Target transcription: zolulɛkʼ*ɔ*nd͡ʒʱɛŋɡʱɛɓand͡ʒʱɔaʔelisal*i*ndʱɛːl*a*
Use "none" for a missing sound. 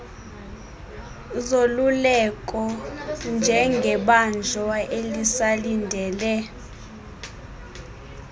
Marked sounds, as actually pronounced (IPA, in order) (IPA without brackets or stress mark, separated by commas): ɔ, i, ɛ